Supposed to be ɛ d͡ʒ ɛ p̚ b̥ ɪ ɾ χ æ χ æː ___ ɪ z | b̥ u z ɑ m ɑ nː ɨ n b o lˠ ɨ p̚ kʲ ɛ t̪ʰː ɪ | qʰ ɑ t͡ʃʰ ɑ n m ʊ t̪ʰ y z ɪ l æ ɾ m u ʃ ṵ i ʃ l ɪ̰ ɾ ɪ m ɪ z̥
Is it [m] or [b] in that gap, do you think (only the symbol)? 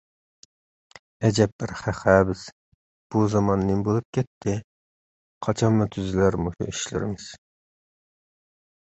b